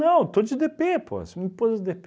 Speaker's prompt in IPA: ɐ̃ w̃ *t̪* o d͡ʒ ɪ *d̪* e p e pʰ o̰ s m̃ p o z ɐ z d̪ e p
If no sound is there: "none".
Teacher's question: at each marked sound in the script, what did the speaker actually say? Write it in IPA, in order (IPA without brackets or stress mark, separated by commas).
t̪, d̪